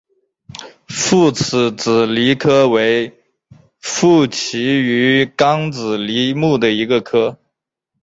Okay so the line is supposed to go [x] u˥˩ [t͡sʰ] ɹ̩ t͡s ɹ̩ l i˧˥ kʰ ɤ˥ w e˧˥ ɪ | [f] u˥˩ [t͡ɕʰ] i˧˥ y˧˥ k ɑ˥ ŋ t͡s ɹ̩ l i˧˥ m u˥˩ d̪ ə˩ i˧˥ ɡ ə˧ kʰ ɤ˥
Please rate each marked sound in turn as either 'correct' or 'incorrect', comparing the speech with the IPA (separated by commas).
incorrect, correct, correct, correct